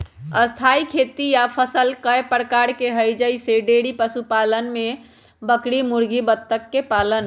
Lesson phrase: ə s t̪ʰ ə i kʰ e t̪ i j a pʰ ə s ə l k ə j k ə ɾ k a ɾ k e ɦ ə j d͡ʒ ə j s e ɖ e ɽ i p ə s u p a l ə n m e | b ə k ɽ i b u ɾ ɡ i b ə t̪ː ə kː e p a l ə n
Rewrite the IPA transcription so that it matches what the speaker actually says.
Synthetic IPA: ə s t̪ʰ a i kʰ e t̪ i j a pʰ ə s ə l k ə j p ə ɾ k a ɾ k e ɦ ə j d͡ʒ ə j s e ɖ e ɽ i p ə s u p a l ə n m e | b ə k ɽ i m u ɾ ɡ i b ə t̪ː ə kː e p a l ə n